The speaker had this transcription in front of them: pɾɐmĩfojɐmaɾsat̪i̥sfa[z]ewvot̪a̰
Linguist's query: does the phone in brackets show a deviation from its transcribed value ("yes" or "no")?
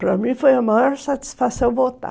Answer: yes